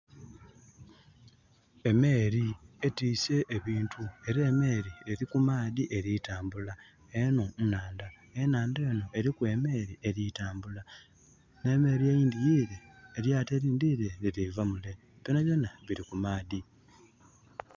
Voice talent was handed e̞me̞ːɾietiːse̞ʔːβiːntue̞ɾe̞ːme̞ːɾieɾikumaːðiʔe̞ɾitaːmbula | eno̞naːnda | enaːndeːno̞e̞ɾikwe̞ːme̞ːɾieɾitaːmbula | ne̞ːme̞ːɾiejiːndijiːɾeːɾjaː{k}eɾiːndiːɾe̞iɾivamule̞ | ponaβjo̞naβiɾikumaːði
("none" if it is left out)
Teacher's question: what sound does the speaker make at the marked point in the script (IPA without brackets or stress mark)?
t